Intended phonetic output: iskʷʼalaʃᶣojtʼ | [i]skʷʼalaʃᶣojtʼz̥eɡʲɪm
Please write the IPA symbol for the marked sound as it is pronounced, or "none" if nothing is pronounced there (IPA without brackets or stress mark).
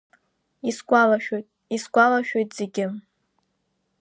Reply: i